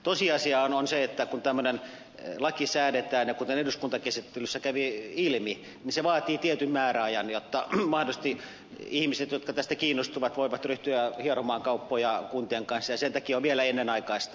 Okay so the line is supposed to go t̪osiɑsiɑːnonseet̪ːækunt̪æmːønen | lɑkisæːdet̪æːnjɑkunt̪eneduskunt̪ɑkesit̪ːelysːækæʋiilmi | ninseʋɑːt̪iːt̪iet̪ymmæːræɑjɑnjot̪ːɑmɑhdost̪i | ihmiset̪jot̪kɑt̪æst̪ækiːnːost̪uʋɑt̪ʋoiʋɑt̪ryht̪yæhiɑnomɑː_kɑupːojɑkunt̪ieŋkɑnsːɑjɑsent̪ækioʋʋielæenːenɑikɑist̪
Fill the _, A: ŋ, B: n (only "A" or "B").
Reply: A